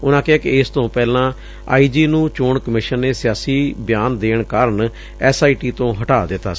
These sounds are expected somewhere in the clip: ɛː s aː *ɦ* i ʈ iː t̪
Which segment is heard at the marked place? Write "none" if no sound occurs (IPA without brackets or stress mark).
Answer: none